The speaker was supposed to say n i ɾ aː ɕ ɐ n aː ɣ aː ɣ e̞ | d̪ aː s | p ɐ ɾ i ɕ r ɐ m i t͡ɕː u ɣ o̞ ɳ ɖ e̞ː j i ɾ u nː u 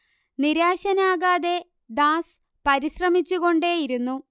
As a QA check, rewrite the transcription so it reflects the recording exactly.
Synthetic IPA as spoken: n i ɾ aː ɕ ɐ n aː ɣ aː ð e̞ | d̪ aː s | p ɐ ɾ i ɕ r ɐ m i t͡ɕː u ɣ o̞ ɳ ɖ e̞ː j i ɾ u nː u